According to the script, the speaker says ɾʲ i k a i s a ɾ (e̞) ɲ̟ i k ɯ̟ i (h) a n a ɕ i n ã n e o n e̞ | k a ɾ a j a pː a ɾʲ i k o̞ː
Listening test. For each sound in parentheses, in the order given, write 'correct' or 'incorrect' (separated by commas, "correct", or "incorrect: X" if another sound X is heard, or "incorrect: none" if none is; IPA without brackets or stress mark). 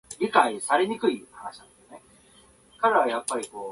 correct, correct